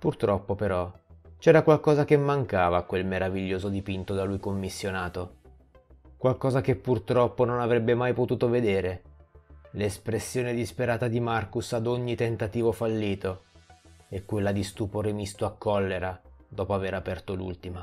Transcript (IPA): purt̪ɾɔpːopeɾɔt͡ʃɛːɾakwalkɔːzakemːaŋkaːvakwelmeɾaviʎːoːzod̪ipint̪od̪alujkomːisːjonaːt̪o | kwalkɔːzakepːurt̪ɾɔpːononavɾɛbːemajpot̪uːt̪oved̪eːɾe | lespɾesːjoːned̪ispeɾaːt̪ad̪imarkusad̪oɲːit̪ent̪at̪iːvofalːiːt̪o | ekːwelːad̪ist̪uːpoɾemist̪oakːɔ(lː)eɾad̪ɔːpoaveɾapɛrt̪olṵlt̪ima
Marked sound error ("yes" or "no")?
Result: no